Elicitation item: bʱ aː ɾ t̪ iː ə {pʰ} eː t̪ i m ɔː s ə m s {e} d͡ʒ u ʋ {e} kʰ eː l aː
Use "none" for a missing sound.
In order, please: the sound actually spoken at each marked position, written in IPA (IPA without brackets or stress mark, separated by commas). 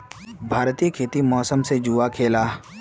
kʰ, e, a